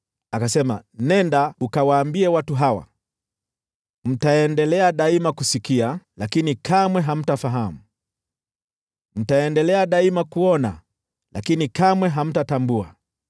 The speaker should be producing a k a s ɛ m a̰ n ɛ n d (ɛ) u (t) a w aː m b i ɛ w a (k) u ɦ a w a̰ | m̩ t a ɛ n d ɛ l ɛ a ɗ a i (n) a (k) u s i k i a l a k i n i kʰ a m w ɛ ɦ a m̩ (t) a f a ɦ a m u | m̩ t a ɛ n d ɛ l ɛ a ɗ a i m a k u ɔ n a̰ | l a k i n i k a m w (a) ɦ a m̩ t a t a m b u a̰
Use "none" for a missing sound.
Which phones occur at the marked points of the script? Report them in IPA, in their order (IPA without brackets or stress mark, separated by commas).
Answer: a, k, t, m, k, t, ɛ